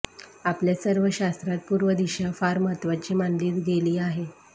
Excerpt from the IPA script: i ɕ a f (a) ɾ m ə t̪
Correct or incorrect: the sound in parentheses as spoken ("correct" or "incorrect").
correct